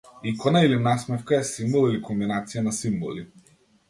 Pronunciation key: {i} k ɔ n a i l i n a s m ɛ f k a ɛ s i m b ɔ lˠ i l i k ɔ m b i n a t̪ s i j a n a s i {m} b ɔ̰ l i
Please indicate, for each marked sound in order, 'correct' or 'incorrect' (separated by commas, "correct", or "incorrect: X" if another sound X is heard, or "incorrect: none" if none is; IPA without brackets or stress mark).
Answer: correct, correct